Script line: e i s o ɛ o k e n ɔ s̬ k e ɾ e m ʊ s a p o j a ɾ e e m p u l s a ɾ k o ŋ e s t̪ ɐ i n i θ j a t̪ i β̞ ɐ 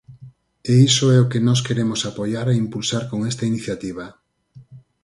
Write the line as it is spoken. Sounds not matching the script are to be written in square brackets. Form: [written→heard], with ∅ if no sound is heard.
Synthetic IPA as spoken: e i s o ɛ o k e n ɔ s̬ k e ɾ e m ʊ s a p o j a ɾ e [e→i] m p u l s a ɾ k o ŋ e s t̪ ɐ i n i θ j a t̪ i β̞ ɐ